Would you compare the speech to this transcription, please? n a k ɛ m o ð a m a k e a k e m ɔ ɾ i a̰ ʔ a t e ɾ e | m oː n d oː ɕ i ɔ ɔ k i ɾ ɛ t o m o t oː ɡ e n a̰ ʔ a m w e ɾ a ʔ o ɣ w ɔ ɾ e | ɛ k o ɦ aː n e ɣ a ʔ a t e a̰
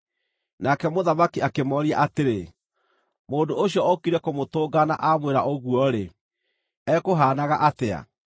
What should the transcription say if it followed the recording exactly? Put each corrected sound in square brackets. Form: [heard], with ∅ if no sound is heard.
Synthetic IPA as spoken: n a k ɛ m o ð a m a k [i] a k e m ɔ ɾ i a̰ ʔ a t e ɾ e | m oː n d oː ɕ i ɔ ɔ k i ɾ ɛ [k] o m o t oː ɡ [a] n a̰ ʔ a m w e ɾ a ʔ o ɣ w ɔ ɾ e | ɛ k o ɦ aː n [a] ɣ a ʔ a t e a̰